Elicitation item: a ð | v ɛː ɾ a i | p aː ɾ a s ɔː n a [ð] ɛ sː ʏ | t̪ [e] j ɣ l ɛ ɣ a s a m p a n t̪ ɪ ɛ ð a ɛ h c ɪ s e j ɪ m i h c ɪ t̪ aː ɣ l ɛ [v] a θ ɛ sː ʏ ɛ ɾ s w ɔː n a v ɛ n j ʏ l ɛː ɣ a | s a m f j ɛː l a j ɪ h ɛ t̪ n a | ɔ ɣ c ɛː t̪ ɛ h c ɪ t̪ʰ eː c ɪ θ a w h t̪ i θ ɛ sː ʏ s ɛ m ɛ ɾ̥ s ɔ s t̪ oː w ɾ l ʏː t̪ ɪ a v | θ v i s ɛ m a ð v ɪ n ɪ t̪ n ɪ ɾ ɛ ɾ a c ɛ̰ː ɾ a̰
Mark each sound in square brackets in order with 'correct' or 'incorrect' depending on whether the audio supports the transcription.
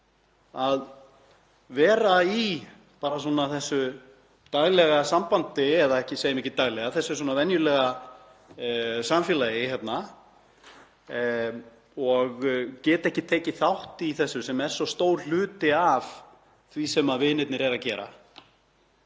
incorrect: θ, incorrect: a, incorrect: ɣ

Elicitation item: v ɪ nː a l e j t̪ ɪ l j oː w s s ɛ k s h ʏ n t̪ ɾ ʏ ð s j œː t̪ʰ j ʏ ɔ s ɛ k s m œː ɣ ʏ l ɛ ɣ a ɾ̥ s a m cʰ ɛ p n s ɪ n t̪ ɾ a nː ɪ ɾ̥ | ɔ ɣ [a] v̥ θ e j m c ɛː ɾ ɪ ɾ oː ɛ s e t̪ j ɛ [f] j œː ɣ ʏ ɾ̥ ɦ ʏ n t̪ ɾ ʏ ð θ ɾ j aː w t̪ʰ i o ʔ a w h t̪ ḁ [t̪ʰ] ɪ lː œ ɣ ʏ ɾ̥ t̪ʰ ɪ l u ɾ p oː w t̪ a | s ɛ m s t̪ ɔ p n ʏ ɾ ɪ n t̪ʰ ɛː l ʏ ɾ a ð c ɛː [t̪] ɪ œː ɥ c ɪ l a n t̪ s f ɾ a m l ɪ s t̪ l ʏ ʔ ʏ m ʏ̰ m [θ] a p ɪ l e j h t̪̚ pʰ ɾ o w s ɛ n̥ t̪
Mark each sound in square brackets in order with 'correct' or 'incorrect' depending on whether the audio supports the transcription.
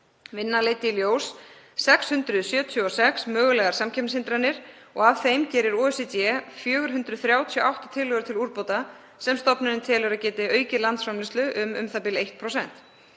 correct, correct, correct, correct, correct

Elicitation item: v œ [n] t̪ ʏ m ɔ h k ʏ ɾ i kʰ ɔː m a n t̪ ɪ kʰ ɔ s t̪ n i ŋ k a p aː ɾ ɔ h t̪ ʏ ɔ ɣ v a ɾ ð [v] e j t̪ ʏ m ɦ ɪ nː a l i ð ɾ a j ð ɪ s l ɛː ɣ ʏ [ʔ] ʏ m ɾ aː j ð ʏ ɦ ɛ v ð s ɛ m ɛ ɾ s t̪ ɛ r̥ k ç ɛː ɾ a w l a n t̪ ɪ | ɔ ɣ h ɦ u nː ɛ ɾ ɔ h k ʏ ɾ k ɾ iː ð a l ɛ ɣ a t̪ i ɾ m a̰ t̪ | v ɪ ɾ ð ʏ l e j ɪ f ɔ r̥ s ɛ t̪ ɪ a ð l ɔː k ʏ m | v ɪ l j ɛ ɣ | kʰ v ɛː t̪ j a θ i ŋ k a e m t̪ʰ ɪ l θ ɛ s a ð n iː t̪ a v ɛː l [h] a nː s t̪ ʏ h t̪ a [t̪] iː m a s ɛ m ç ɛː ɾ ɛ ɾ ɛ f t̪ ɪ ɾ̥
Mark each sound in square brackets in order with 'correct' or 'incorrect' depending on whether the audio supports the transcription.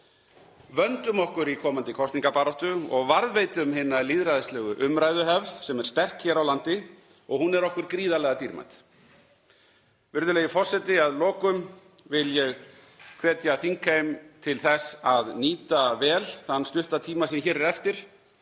correct, correct, correct, incorrect: θ, incorrect: t̪ʰ

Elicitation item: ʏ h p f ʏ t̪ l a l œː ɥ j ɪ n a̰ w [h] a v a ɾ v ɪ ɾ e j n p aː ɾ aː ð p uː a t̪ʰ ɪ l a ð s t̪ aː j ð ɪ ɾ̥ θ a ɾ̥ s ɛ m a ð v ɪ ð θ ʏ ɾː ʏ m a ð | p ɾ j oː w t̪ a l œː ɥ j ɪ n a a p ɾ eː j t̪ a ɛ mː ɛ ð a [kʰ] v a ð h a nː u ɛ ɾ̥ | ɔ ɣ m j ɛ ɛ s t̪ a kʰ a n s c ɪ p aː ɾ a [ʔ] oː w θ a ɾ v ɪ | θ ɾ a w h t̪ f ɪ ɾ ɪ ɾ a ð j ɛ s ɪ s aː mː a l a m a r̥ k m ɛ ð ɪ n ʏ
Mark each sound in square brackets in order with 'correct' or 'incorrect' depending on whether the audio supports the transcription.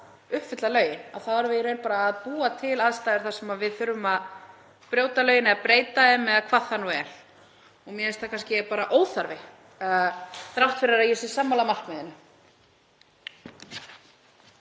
incorrect: θ, correct, correct

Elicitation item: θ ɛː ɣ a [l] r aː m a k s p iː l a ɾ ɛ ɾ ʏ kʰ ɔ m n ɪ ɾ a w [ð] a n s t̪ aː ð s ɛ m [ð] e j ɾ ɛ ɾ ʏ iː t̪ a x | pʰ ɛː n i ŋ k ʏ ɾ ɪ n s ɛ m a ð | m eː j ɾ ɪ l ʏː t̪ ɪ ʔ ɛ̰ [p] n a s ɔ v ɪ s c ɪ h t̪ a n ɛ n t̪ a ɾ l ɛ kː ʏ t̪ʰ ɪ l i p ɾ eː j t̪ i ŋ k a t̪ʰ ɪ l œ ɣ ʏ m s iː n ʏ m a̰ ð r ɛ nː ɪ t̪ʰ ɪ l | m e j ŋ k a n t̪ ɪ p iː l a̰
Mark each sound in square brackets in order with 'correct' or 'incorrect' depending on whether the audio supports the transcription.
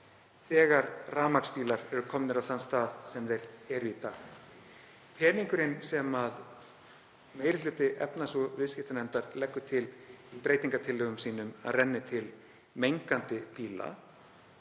incorrect: ɾ, incorrect: θ, correct, correct

